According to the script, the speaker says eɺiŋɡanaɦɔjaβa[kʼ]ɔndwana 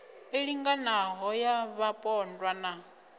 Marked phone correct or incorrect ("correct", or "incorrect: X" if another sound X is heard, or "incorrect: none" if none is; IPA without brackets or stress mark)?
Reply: incorrect: pʼ